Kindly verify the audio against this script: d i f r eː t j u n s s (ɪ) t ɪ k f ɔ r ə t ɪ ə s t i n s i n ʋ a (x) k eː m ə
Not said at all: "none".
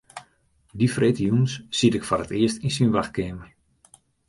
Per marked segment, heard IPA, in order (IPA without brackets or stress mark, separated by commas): i, x